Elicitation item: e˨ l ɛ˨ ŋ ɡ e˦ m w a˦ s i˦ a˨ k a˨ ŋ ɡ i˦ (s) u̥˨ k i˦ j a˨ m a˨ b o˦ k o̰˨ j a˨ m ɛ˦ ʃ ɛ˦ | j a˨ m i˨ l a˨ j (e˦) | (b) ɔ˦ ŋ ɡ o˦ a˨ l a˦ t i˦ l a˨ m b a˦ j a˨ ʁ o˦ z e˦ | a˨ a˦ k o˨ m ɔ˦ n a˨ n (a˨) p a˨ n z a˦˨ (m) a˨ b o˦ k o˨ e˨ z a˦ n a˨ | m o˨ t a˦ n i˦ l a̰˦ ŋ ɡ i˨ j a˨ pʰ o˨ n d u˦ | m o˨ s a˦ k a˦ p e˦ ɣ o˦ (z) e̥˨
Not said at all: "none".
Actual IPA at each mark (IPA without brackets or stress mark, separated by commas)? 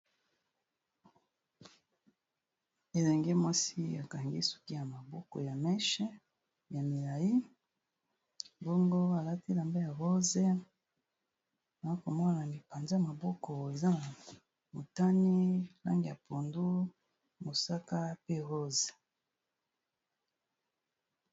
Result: s, i˦, b, i˨, m, z